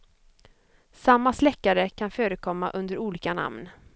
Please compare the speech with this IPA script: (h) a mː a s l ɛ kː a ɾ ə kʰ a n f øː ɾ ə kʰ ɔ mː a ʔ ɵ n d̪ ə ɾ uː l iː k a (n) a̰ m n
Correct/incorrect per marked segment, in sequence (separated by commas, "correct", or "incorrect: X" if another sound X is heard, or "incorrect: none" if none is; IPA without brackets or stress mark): incorrect: s, correct